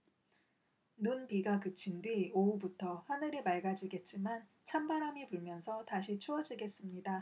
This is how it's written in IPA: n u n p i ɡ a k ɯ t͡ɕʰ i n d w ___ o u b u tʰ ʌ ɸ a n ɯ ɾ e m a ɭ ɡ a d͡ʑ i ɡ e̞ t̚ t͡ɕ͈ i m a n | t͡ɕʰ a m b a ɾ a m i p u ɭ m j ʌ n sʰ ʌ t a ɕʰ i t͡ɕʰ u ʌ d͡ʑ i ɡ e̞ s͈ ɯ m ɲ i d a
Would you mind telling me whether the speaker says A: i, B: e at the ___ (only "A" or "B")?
A